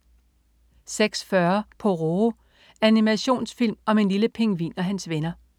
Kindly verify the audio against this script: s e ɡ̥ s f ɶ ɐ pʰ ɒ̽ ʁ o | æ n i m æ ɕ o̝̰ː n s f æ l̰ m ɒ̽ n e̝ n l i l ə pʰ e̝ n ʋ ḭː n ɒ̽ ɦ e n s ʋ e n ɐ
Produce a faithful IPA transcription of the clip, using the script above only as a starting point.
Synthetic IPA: s e ɡ̥ s f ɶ ɐ pʰ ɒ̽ ʁ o | æ n i m æ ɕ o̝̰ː n s f i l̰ m ɒ̽ m e̝ n l i l ə pʰ e̝ ŋ ʋ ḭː n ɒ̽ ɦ æ n s ʋ e n ɐ